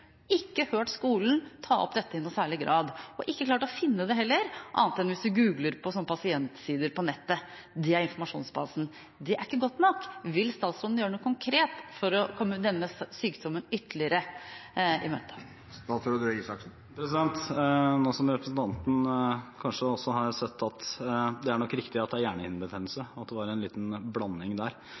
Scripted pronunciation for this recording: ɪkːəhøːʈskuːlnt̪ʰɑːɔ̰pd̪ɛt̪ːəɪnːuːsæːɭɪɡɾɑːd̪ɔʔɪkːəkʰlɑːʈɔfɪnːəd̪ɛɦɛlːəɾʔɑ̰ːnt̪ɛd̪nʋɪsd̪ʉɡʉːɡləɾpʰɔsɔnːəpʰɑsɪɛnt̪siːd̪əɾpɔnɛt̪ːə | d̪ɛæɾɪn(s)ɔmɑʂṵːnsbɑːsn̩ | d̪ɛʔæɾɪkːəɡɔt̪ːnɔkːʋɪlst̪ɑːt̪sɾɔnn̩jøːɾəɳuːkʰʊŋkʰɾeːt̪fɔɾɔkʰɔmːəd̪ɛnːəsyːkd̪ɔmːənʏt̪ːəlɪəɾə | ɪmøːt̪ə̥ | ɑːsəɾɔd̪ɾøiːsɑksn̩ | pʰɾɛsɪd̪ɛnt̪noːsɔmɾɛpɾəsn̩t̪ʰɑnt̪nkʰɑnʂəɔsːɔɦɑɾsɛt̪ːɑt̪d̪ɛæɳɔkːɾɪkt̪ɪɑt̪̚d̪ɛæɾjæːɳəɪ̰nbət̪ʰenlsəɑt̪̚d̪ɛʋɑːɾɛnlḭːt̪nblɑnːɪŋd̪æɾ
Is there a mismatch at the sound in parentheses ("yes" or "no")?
yes